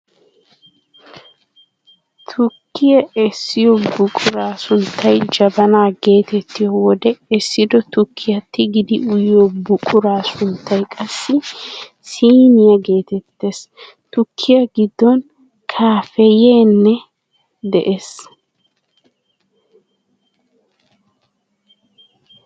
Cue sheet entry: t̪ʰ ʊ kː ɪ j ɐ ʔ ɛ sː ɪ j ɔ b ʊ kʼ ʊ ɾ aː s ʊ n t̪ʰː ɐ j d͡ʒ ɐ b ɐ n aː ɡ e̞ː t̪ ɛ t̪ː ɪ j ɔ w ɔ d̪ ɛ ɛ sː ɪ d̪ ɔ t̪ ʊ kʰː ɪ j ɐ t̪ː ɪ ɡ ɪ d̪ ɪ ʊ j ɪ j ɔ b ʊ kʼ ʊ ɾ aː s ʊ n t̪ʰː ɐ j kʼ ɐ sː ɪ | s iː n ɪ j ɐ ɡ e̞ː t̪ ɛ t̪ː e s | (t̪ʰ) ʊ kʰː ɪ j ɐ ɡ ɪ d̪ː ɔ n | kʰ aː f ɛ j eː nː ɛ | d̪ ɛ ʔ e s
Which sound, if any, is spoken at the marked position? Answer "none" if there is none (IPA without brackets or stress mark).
t̪